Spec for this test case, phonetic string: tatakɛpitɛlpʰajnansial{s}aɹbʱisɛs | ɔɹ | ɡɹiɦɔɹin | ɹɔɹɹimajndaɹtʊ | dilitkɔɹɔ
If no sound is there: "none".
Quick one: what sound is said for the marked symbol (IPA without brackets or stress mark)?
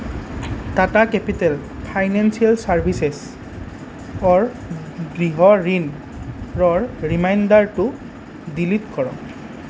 s